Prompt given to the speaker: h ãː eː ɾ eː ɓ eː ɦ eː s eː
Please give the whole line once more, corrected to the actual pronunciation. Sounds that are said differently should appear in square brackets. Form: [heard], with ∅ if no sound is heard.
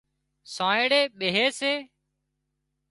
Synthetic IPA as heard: [s] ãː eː [ɽ] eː ɓ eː ɦ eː s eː